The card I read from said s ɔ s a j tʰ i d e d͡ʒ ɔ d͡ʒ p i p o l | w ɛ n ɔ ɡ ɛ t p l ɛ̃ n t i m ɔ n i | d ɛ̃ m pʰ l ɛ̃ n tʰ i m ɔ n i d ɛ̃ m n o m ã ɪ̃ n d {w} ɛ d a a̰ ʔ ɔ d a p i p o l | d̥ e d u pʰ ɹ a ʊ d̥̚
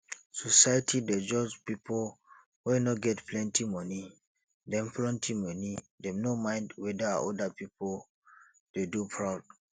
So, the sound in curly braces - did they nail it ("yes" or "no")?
yes